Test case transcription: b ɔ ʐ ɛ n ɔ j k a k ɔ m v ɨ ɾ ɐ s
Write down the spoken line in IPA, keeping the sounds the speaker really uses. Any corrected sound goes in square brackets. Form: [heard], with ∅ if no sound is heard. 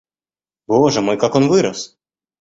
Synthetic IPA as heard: b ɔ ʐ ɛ [m] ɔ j k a k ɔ [n] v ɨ ɾ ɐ s